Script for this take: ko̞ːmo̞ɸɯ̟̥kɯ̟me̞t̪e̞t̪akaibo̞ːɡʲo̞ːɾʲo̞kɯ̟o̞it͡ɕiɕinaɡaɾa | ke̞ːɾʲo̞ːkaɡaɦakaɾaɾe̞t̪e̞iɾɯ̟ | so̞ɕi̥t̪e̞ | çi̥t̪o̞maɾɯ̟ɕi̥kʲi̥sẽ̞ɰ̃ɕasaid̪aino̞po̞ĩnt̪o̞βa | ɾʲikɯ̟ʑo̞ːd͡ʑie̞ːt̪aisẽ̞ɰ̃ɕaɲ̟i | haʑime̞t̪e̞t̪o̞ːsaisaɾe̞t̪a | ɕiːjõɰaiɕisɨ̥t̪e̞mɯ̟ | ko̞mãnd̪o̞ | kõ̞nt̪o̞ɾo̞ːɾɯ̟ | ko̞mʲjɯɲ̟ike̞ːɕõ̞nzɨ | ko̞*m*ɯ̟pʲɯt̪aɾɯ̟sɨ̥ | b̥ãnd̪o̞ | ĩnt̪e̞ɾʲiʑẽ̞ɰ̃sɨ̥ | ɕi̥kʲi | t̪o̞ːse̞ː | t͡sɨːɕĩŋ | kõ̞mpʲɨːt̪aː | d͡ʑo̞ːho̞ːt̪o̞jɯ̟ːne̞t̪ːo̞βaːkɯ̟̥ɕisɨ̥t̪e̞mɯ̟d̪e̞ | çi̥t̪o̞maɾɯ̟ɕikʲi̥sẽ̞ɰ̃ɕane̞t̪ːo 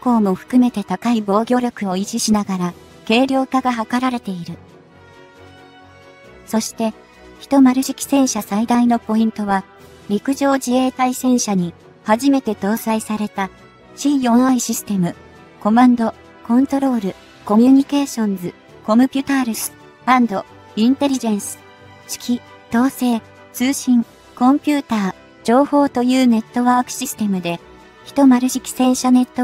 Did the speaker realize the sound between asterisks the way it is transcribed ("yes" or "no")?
yes